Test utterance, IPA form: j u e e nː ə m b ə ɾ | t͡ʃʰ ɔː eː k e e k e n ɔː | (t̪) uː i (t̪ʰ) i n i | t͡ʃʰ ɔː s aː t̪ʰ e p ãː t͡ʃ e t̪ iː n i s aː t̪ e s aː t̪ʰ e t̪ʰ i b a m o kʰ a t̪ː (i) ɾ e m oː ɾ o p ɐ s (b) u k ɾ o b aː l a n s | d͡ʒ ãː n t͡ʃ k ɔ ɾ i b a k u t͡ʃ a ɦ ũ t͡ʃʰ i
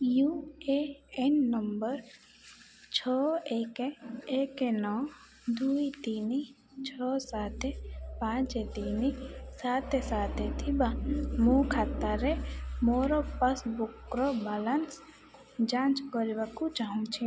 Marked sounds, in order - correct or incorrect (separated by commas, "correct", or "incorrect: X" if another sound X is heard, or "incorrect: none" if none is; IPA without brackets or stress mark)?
incorrect: d̪, incorrect: t̪, incorrect: a, correct